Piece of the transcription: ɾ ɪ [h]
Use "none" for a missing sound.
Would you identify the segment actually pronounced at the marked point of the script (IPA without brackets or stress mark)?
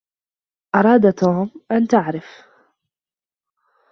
f